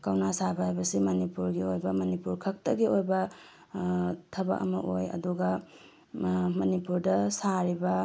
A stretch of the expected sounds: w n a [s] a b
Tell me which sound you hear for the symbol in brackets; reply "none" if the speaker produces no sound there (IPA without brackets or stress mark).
s